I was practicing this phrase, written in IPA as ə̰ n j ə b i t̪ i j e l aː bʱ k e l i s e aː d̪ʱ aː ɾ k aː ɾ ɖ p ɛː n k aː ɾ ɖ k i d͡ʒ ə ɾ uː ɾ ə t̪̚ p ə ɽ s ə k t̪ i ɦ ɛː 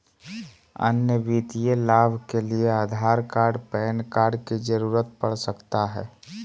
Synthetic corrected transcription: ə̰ n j ə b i t̪ i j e l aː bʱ k e l i e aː d̪ʱ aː ɾ k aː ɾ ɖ p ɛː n k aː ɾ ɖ k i d͡ʒ ə ɾ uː ɾ ə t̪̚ p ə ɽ s ə k t̪ a ɦ ɛː